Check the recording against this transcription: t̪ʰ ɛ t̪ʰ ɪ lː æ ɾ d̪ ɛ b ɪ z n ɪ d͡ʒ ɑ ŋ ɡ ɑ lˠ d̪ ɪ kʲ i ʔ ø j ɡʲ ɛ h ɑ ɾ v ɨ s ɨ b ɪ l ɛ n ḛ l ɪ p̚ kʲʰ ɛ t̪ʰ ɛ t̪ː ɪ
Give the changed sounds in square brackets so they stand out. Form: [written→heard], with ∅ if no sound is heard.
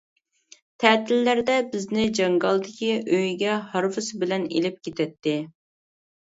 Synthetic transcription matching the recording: t̪ʰ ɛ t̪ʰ ɪ lː æ ɾ d̪ ɛ b ɪ z n ɪ d͡ʒ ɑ ŋ ɡ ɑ lˠ d̪ ɪ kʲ i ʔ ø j ɡʲ ɛ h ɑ ɾ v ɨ s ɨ b ɪ l ɛ n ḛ l ɪ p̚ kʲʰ [ɛ→e] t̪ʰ ɛ t̪ː ɪ